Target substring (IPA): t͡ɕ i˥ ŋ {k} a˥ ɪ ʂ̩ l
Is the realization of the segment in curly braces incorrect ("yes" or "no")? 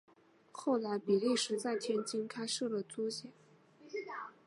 yes